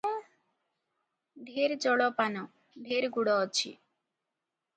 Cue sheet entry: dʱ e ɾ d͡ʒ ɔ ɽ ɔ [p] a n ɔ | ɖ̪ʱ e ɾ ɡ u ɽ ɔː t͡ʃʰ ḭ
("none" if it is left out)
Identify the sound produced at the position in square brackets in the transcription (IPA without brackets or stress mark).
p